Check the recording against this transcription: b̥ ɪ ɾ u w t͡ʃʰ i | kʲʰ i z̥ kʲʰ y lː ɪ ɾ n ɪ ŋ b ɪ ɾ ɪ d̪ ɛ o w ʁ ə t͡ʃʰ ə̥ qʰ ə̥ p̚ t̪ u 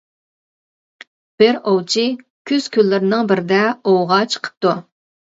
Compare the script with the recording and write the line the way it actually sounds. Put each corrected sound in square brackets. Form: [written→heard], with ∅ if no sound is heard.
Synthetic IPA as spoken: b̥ ɪ ɾ [u→o] w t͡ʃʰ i | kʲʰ [i→y] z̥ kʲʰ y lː ɪ ɾ n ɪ ŋ b ɪ ɾ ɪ d̪ ɛ o w ʁ [ə→ɑ] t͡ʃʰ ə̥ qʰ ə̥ p̚ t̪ u